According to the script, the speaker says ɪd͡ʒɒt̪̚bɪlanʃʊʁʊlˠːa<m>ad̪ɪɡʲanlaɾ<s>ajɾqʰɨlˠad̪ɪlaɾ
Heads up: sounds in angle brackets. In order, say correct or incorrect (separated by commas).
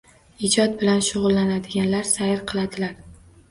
incorrect, correct